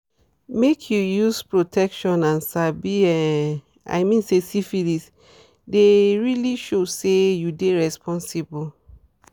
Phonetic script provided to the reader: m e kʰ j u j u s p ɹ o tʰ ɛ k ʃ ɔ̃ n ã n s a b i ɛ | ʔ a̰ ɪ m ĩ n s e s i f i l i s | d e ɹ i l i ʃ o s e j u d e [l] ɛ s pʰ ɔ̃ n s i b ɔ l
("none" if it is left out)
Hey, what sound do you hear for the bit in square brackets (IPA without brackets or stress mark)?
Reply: ɹ